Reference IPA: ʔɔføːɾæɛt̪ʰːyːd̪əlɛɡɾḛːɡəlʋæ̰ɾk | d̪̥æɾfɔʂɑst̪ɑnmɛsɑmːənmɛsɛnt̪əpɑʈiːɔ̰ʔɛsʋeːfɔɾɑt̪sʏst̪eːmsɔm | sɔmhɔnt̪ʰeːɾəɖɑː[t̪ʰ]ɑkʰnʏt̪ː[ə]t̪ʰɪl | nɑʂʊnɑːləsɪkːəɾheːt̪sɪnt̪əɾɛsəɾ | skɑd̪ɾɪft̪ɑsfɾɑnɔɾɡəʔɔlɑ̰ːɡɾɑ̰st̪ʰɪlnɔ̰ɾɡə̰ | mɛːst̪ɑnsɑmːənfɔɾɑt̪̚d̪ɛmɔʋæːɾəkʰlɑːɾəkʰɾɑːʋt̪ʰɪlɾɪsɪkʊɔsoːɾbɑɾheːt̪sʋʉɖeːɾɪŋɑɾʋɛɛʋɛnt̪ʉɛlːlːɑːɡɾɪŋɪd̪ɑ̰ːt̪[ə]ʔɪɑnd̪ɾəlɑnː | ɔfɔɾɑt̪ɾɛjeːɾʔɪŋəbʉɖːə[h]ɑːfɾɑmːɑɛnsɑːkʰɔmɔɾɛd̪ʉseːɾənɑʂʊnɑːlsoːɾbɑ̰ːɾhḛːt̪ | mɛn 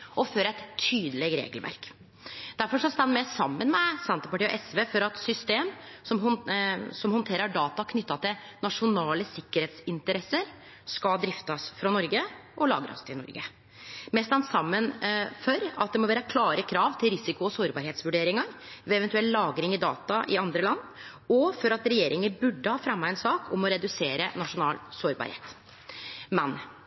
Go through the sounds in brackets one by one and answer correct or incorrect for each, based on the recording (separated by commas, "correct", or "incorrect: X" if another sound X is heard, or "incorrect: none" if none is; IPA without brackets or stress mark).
incorrect: t̪, incorrect: ɑ, incorrect: ɑ, correct